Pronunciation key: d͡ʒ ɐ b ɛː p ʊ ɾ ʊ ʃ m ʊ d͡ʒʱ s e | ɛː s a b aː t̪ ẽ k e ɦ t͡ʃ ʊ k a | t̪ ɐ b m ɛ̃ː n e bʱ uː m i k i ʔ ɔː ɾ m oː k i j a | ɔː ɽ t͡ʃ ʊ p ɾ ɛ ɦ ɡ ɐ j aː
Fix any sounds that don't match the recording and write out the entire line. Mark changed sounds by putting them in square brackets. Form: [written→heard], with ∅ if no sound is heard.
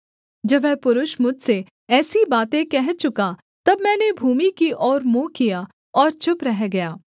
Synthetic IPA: d͡ʒ ɐ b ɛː p ʊ ɾ ʊ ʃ m ʊ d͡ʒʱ s e | ɛː s [a→i] b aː t̪ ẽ k [e→ɛ] ɦ t͡ʃ ʊ k a | t̪ ɐ b m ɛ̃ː n e bʱ uː m i k i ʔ ɔː ɾ m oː k i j a | ɔː [ɽ→ɾ] t͡ʃ ʊ p ɾ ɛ ɦ ɡ ɐ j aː

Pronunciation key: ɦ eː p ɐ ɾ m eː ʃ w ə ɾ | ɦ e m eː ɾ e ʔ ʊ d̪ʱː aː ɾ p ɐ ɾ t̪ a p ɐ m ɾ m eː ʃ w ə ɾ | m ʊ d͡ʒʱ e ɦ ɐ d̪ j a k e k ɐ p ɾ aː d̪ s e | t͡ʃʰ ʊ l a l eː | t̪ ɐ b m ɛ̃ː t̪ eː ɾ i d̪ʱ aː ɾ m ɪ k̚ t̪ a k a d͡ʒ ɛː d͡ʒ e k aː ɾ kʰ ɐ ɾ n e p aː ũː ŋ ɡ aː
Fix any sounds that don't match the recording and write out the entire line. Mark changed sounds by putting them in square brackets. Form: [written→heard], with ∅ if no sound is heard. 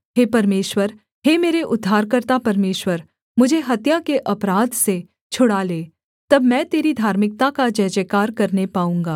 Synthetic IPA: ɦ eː p ɐ ɾ m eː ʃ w ə ɾ | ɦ e m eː ɾ e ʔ ʊ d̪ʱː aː ɾ [p→k] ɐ ɾ t̪ a p ɐ [m→∅] ɾ m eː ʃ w ə ɾ | m ʊ d͡ʒʱ e ɦ ɐ [d̪→t̪] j a k e [k→ʔ] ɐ p ɾ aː d̪ s e | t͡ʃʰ ʊ [l→ɽ] a l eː | t̪ ɐ b m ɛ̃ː t̪ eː ɾ i d̪ʱ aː ɾ m ɪ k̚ t̪ a k a d͡ʒ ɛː d͡ʒ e k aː ɾ [kʰ→k] ɐ ɾ n e p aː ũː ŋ ɡ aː

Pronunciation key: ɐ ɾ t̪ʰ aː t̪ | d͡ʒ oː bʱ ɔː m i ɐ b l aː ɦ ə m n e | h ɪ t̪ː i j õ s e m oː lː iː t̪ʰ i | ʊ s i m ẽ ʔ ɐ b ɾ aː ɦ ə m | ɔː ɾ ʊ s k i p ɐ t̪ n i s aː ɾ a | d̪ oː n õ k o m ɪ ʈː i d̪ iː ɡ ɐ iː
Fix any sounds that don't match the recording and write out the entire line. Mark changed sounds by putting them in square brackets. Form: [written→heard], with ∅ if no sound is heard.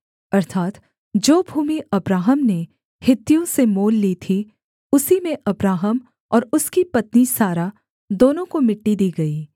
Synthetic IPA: ɐ ɾ t̪ʰ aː t̪ | d͡ʒ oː bʱ [ɔː→uː] m i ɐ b [l→ɾ] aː ɦ ə m n e | h ɪ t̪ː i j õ s e m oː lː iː t̪ʰ i | ʊ s i m ẽ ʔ ɐ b ɾ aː ɦ ə m | ɔː ɾ ʊ s k i p ɐ t̪ n i s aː ɾ a | d̪ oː n õ k o m ɪ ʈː i d̪ iː ɡ ɐ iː

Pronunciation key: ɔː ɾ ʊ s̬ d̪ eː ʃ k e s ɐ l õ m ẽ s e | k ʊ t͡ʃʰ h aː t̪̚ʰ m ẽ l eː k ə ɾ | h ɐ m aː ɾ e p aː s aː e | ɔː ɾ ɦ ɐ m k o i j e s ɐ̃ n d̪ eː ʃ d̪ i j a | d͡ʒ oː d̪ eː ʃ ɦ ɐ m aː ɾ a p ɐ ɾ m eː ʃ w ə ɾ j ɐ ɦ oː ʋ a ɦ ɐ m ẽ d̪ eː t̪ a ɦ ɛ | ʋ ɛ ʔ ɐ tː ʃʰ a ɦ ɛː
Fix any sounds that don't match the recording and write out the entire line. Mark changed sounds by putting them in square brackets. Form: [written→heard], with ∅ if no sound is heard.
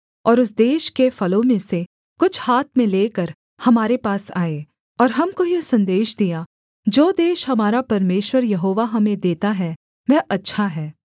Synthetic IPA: ɔː ɾ ʊ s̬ d̪ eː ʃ k e [s→f] ɐ l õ m ẽ s e | k ʊ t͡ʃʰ h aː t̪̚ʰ m ẽ l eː k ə ɾ | h ɐ m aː ɾ e p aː s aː e | ɔː ɾ ɦ ɐ m k o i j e s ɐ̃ n d̪ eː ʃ d̪ i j a | d͡ʒ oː d̪ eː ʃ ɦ ɐ m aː ɾ a p ɐ ɾ m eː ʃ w ə ɾ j ɐ ɦ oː ʋ a ɦ ɐ m ẽ d̪ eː t̪ a ɦ ɛ | ʋ ɛ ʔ ɐ tː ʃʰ a ɦ ɛː

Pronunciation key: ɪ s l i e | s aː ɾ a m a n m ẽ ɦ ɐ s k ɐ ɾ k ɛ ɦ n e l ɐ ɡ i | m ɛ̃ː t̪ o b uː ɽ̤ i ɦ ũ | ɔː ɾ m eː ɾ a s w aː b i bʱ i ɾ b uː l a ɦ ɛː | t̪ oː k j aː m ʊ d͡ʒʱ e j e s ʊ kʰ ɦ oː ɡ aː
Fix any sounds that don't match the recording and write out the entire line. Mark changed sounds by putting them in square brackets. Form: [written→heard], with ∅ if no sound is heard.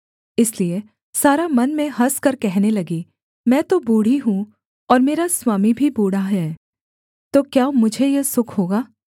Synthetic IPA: ɪ s l i e | s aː ɾ a m [a→ɐ] n m ẽ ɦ ɐ s k ɐ ɾ k ɛ ɦ n e l ɐ ɡ i | m ɛ̃ː t̪ o b uː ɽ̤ i ɦ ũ | ɔː ɾ m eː ɾ a s w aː [b→m] i bʱ i [ɾ→∅] b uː [l→ɽ] a ɦ ɛː | t̪ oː k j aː m ʊ d͡ʒʱ e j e s ʊ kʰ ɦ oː ɡ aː

